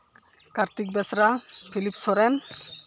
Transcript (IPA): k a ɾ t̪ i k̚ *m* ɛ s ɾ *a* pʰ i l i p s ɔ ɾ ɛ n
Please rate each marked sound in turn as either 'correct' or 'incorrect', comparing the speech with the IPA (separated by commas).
incorrect, correct